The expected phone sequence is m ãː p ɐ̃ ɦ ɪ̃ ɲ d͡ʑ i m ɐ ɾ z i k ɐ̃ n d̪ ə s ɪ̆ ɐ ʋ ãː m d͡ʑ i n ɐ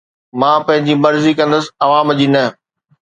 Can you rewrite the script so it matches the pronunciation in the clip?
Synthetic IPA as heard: m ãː p ɐ̃ ɦ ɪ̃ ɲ d͡ʑ i m ɐ ɾ z i k ɐ̃ n d̪ ə s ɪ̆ ɐ ʋ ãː m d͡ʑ i n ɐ